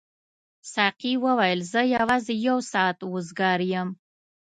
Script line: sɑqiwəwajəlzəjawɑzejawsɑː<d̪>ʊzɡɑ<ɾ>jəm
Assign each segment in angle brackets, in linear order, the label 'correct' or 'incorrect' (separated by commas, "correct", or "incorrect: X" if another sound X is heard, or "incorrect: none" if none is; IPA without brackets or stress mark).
incorrect: t̪, correct